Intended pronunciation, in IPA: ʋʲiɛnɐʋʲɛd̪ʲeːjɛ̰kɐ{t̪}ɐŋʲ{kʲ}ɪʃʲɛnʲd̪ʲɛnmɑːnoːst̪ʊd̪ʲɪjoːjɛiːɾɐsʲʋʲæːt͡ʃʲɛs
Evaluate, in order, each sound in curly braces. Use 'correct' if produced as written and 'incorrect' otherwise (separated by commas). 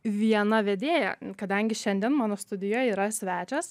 incorrect, incorrect